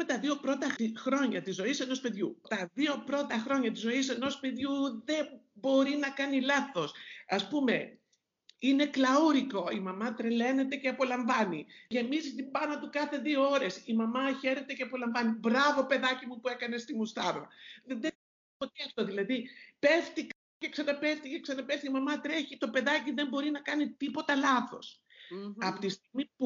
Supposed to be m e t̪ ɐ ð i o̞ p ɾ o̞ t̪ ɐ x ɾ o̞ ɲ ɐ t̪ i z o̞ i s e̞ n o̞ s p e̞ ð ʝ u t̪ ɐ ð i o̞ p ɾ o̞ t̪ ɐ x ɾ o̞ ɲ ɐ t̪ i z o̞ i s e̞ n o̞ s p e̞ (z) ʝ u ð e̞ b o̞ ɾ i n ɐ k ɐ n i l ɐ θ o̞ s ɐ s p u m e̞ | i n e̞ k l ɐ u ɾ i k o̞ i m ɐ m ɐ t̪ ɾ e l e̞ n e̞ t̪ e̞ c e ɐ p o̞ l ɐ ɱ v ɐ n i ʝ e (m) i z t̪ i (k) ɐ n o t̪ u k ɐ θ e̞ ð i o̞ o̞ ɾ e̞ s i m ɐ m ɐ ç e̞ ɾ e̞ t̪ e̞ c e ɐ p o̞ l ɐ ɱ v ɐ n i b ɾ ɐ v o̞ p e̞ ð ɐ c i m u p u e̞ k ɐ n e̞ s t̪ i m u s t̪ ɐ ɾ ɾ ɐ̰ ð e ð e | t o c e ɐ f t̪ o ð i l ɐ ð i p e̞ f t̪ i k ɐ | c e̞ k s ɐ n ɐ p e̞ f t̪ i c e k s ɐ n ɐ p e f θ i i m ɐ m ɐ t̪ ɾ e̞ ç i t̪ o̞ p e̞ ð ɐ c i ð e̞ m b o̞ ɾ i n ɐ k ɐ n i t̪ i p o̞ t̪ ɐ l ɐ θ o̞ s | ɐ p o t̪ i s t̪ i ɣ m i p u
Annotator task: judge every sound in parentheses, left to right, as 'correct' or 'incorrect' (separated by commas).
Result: incorrect, correct, incorrect